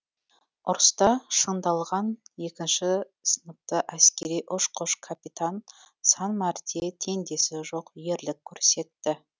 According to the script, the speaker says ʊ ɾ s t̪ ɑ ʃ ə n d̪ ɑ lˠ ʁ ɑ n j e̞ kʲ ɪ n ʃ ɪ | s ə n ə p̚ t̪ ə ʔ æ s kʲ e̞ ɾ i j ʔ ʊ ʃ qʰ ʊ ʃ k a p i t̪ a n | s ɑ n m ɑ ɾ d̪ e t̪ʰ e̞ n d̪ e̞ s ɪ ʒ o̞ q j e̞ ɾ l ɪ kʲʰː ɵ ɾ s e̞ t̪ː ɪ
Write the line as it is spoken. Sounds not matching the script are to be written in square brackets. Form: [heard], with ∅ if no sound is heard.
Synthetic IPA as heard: ʊ ɾ s t̪ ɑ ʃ ə n d̪ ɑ lˠ ʁ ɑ n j e̞ kʲ ɪ n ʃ ɪ | s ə n ə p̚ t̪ ə ʔ æ s kʲ e̞ ɾ i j ʔ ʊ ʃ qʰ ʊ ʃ [kʰ] a p i t̪ a n | s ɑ n m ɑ ɾ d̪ e t̪ʰ e̞ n d̪ e̞ s ɪ ʒ o̞ q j e̞ ɾ l ɪ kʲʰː ɵ ɾ s e̞ t̪ː ɪ